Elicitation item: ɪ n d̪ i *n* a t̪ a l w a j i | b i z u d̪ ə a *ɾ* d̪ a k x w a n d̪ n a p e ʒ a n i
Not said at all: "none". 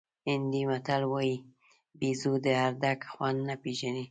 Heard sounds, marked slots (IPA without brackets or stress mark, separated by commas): m, ɾ